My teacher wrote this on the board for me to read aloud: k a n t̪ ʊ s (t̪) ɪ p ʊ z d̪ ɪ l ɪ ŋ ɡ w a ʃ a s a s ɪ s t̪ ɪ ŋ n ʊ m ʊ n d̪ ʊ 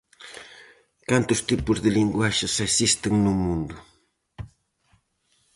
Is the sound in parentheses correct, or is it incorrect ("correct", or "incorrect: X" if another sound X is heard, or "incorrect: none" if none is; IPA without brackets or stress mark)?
correct